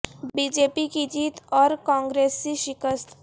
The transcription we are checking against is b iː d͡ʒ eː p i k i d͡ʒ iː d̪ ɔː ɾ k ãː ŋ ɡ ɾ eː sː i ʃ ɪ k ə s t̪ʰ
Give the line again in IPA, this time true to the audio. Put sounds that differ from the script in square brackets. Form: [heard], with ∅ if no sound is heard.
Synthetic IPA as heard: b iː d͡ʒ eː p i k i d͡ʒ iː [t̪] ɔː ɾ k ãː ŋ ɡ ɾ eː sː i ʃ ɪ k ə s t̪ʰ